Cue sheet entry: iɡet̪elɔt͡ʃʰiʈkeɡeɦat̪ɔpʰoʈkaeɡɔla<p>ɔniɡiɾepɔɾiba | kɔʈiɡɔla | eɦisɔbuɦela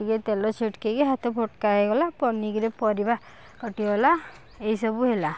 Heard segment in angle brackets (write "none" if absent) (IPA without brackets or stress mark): p